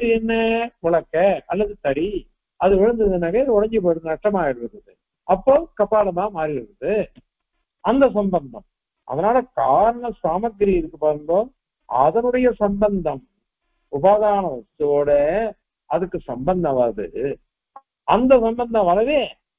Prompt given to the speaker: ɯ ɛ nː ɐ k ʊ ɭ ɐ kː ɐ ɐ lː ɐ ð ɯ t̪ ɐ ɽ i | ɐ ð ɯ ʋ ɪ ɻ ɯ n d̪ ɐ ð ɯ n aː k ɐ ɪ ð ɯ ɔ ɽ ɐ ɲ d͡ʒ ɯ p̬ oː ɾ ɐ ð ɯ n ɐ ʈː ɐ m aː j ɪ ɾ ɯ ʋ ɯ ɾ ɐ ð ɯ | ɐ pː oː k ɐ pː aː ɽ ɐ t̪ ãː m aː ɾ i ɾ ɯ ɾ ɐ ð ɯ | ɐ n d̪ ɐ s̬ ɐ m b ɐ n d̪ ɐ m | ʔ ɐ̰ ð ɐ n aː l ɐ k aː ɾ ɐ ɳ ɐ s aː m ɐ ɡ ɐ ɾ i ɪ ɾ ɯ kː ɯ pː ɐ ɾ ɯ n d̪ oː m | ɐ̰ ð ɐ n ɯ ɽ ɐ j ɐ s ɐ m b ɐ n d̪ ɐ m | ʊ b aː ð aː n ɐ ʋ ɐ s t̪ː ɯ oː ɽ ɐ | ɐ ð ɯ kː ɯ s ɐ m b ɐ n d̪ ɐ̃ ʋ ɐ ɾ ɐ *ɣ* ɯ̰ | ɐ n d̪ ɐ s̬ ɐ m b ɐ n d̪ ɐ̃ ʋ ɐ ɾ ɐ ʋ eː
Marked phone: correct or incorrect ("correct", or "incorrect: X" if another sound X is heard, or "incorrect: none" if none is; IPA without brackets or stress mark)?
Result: incorrect: ð